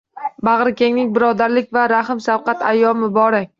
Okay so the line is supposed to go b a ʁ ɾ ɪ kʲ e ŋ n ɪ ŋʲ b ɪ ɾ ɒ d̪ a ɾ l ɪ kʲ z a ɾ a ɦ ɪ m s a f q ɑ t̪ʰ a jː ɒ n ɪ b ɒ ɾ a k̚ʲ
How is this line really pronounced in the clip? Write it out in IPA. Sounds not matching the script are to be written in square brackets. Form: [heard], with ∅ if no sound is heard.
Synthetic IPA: b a ʁ ɾ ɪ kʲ e ŋ n ɪ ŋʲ b ɪ ɾ ɒ d̪ a ɾ l ɪ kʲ [v] a ɾ a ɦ ɪ m s a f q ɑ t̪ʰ a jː ɒ [m] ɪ b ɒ ɾ a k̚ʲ